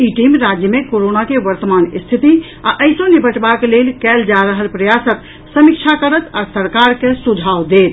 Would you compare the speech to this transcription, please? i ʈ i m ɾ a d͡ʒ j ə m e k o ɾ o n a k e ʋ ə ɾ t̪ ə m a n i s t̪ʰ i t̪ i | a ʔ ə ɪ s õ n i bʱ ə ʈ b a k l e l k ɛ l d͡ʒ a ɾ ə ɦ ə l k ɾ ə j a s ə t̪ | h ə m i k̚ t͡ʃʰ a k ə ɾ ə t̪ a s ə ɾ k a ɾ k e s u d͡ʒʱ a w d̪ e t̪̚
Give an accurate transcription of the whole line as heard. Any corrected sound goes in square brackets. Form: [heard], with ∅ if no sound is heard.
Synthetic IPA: i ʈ i m ɾ a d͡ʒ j ə m e k o ɾ o n a k e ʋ ə ɾ t̪ ə m a n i s t̪ʰ i t̪ i | a ʔ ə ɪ s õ n i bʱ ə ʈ b a k l e l k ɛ l d͡ʒ a ɾ ə ɦ ə l [p] ɾ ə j a s ə t̪ | [s] ə m i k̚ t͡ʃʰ a k ə ɾ ə t̪ a s ə ɾ k a ɾ k e s u d͡ʒʱ a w d̪ e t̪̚